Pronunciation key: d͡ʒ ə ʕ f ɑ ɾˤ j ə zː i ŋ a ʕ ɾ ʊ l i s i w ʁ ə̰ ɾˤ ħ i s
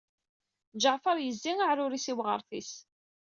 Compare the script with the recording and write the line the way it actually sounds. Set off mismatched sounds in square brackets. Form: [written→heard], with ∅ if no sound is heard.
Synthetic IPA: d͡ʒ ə ʕ f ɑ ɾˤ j ə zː i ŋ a ʕ ɾ ʊ [l→ɾ] i s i w ʁ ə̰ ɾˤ [ħ→θ] i s